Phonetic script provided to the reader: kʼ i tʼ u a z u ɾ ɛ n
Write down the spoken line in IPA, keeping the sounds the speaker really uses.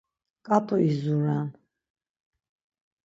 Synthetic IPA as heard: kʼ a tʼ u i z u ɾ a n